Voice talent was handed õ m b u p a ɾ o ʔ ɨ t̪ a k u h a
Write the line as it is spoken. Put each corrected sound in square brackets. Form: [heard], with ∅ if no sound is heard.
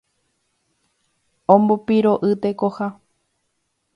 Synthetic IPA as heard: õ m b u p [i] ɾ o ʔ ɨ t̪ [e] k [o] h a